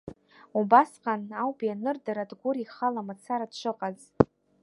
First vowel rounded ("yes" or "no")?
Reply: yes